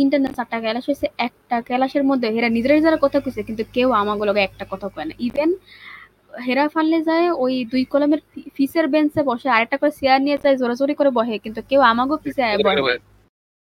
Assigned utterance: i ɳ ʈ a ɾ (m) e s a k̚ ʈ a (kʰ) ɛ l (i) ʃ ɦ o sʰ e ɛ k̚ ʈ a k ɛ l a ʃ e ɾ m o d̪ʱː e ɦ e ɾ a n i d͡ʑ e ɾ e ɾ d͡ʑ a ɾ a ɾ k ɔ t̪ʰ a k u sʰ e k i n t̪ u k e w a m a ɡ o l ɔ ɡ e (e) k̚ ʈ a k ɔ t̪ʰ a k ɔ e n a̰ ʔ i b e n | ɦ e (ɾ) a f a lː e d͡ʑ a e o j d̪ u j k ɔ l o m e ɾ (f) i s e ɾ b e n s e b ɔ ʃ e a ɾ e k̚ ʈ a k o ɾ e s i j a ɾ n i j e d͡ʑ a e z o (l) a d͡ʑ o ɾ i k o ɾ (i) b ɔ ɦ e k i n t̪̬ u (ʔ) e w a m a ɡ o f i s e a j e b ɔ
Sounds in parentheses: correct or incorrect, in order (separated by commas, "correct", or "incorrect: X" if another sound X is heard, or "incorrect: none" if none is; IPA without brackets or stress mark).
incorrect: n, incorrect: k, incorrect: a, incorrect: ɛ, correct, correct, incorrect: ɾ, incorrect: e, incorrect: k